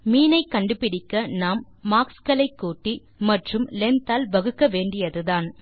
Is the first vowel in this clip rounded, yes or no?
no